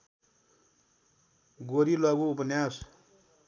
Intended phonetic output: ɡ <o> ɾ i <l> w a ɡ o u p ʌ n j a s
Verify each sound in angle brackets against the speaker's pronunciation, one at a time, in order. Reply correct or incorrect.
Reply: correct, correct

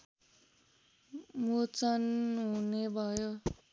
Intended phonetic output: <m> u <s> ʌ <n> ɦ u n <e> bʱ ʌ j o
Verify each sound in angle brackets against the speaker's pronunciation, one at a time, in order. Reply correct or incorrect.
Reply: correct, incorrect, correct, correct

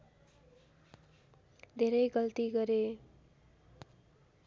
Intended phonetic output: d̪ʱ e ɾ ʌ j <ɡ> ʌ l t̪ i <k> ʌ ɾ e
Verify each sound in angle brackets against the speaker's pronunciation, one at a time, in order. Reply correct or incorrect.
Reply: correct, incorrect

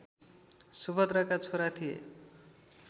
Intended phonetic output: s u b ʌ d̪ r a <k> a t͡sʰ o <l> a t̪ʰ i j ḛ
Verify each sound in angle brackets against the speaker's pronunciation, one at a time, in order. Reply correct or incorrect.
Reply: correct, incorrect

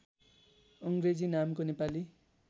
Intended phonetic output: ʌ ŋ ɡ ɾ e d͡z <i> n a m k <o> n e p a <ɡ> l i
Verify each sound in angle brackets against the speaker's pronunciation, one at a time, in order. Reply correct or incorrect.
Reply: correct, correct, incorrect

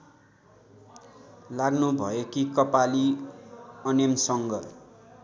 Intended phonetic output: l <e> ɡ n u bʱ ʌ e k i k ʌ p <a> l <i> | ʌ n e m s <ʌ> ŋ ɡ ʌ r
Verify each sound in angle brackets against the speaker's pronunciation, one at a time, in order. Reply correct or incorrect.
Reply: incorrect, correct, correct, correct

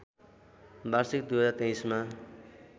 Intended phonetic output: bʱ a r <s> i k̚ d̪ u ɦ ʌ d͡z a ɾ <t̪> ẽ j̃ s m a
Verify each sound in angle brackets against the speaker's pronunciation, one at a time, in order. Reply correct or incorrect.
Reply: correct, correct

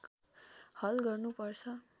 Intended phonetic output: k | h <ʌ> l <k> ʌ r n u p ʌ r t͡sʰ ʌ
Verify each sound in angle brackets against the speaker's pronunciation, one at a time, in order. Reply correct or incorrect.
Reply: correct, incorrect

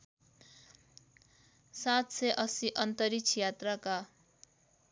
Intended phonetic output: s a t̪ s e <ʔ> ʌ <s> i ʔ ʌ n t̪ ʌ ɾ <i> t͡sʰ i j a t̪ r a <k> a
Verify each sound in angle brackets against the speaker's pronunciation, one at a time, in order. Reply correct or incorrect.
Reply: correct, correct, correct, correct

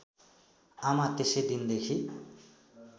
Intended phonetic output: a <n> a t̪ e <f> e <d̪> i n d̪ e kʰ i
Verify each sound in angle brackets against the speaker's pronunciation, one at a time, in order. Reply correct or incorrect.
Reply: incorrect, incorrect, correct

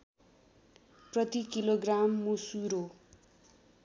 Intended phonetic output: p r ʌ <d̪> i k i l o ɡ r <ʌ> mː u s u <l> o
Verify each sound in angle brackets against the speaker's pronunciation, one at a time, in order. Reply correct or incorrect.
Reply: incorrect, incorrect, incorrect

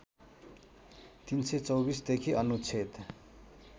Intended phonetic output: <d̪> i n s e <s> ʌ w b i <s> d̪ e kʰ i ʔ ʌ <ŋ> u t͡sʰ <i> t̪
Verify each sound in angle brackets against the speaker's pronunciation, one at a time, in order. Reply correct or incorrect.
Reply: incorrect, incorrect, correct, incorrect, incorrect

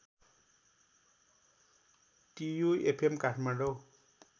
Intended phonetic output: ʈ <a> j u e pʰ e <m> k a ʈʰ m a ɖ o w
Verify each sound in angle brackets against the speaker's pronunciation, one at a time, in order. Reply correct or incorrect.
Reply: incorrect, correct

